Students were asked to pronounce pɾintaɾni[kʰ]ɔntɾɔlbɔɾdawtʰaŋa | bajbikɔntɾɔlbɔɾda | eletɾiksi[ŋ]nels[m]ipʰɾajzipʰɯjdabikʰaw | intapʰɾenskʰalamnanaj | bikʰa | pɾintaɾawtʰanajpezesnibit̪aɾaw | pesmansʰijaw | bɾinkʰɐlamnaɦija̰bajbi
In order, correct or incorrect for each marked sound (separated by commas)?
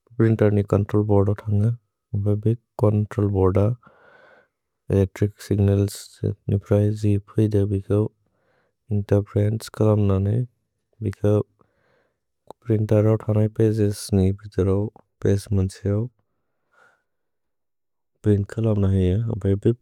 incorrect, incorrect, incorrect